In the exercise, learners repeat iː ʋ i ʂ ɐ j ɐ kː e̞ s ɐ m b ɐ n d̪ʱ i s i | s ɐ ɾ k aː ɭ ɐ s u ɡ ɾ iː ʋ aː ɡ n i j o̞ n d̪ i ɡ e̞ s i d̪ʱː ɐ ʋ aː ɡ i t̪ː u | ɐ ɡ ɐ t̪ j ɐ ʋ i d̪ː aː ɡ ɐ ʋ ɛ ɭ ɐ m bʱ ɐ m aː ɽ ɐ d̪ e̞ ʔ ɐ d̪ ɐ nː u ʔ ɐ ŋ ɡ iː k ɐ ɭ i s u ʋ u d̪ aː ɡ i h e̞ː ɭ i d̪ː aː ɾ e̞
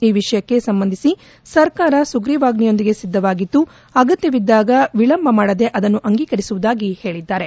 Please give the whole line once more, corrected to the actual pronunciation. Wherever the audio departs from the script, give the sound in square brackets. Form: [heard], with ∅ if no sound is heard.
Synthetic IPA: iː ʋ i ʂ ɐ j ɐ kː e̞ s ɐ m b ɐ n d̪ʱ i s i | s ɐ ɾ k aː [ɾ] ɐ s u ɡ ɾ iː ʋ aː ɡ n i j o̞ n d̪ i ɡ e̞ s i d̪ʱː ɐ ʋ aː ɡ i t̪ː u | ɐ ɡ ɐ t̪ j ɐ ʋ i d̪ː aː ɡ ɐ ʋ [i] ɭ ɐ m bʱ ɐ m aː ɽ ɐ d̪ e̞ ʔ ɐ d̪ ɐ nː u ʔ ɐ ŋ ɡ iː k ɐ [ɾ] i s u ʋ u d̪ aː ɡ i h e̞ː ɭ i d̪ː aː ɾ e̞